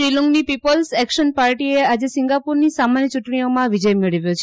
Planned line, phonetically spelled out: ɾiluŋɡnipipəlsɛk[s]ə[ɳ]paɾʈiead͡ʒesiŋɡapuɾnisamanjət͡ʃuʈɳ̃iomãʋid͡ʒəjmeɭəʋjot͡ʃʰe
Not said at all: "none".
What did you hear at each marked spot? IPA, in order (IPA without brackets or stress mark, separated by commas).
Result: ʃ, n